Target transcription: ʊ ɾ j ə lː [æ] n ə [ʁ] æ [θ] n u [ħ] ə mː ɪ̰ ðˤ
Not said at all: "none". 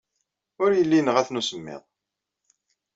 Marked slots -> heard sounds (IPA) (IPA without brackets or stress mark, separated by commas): i, ʁ, θ, s